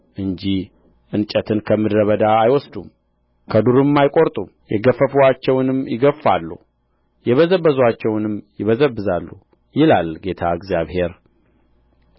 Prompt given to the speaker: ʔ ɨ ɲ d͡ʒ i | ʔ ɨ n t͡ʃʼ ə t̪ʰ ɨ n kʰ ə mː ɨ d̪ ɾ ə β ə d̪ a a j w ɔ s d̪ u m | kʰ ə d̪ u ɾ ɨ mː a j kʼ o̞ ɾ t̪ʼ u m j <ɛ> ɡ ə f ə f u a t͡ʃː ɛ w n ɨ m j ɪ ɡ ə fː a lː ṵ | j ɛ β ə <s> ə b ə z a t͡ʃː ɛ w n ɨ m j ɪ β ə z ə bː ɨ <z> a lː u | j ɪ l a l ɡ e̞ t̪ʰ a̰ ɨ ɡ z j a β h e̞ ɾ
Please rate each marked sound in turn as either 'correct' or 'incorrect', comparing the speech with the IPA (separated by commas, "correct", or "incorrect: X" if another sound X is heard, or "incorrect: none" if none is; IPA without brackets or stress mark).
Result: correct, incorrect: z, correct